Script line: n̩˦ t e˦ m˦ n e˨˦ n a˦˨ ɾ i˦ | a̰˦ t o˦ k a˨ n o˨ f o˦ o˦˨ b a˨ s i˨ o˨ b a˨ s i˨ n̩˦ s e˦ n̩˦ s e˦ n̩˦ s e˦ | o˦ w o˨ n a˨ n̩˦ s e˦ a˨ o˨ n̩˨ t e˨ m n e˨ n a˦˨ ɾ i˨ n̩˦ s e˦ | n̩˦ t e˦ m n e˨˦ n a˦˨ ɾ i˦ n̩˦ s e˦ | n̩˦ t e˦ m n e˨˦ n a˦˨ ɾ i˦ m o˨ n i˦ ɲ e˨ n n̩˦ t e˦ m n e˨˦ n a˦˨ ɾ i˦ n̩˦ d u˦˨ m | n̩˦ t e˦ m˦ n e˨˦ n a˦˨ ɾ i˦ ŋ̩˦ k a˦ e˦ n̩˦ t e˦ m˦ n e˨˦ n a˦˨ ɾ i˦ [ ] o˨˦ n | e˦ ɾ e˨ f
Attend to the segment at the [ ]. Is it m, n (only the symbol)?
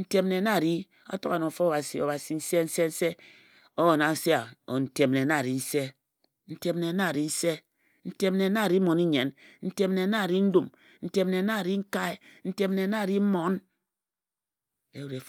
m